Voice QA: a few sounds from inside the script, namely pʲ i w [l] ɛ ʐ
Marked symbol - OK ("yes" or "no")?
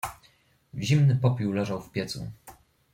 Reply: yes